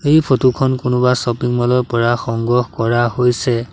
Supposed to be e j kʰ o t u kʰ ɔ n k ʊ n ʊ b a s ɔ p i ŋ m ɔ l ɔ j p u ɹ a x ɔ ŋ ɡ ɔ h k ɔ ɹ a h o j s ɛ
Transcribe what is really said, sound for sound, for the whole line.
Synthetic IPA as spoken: e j pʰ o t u kʰ ɔ n k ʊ n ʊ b a s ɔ p i ŋ m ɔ l ɔ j p ɔ ɹ a x ɔ ŋ ɡ ɔ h k ɔ ɹ a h o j s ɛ

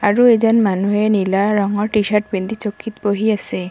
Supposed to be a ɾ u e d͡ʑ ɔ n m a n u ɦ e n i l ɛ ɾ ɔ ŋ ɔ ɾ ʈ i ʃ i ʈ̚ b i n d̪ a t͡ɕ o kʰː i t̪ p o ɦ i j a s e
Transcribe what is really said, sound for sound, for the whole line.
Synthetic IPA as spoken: a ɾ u e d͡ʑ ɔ n m a n u ɦ e n i l a ɾ ɔ ŋ ɔ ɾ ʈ i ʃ a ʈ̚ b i n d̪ i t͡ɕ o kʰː i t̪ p o ɦ i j a s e

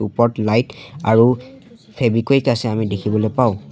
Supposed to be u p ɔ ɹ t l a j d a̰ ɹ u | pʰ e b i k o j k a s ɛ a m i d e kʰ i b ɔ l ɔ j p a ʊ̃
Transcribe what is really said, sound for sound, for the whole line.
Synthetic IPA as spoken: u p ɔ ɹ t l a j t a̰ ɹ u | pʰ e b i k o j k a s ɛ a m i d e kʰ i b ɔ l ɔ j p a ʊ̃

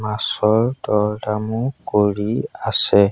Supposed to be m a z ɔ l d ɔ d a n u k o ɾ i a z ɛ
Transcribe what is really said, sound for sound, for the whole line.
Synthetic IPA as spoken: m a s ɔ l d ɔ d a m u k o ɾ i a s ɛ

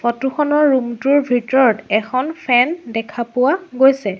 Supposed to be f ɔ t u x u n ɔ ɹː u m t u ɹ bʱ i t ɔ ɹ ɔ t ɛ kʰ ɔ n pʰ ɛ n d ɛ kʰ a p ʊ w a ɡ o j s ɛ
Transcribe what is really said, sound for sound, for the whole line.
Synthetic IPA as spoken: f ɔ t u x ɔ n ɔ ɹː u m t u ɹ bʱ i t ɔ ɹ ɔ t ɛ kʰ ɔ n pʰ ɛ n d ɛ kʰ a p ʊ w a ɡ o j s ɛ

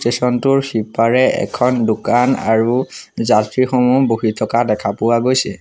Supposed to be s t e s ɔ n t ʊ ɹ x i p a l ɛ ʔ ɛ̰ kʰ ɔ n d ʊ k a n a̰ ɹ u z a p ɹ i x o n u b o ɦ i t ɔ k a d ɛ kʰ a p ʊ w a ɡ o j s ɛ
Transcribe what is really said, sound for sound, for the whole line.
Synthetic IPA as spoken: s t e s ɔ n t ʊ ɹ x i p a ɹ ɛ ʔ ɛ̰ kʰ ɔ n d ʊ k a n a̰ ɹ u z a t ɹ i x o m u b o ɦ i tʰ ɔ k a d ɛ kʰ a p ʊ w a ɡ o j s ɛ

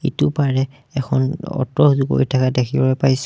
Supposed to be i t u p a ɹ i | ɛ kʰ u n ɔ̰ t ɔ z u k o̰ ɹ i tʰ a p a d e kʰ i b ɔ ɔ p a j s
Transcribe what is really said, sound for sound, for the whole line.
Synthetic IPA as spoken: i t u p a ɹ ɛ | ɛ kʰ ɔ n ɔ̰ t ɔ z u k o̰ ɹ i tʰ a k a d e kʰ i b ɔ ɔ p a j s

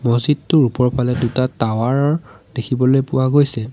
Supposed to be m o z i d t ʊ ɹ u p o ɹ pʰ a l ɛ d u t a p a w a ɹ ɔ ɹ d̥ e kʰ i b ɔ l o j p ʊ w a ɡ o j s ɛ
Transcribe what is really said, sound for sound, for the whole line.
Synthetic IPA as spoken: m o z i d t ʊ ɹ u p ɔ ɹ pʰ a l ɛ d u t a t a w a ɹ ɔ ɹ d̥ e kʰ i b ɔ l o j p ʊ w a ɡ o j s ɛ

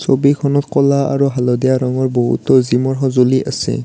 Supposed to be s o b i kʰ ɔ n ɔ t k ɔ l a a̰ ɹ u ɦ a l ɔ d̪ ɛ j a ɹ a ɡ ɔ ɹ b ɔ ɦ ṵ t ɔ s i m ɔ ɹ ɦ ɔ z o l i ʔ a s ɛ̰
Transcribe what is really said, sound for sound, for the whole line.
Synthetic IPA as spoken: s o b i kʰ ɔ n ɔ t k ɔ l a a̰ ɹ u ɦ a l ɔ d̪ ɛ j a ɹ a ŋ ɔ ɹ b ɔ ɦ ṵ t ɔ z i m ɔ ɹ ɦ ɔ z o l i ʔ a s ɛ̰

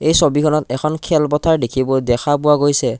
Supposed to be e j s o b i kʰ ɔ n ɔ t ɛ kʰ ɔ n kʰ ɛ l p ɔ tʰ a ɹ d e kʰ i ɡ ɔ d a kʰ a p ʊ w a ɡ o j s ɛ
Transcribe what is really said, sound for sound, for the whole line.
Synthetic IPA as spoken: e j s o b i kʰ ɔ n ɔ t ɛ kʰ ɔ n kʰ ɛ l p ɔ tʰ a ɹ d e kʰ i b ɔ d ɛ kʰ a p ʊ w a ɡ o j s ɛ

